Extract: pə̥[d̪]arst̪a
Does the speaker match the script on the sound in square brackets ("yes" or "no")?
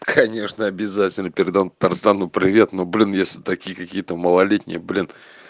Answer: no